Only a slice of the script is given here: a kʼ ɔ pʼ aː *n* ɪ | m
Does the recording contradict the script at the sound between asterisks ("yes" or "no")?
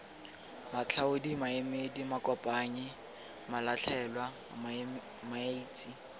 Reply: yes